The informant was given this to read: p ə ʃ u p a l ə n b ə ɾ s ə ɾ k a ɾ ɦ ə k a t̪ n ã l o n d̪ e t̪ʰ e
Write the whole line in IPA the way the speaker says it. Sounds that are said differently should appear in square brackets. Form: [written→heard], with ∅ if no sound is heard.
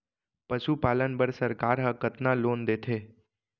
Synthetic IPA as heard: p ə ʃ u p a l ə n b ə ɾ s ə ɾ k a ɾ ɦ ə k [a→ə] t̪ n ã l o n d̪ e t̪ʰ e